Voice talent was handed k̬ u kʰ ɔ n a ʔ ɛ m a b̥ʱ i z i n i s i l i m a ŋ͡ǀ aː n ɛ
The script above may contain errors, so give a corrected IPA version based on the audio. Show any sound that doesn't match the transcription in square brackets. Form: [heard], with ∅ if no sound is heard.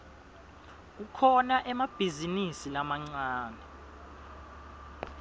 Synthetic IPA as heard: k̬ u kʰ ɔ n a ʔ ɛ m a b̥ʱ i z i n i s i l [a] m a ŋ͡ǀ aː n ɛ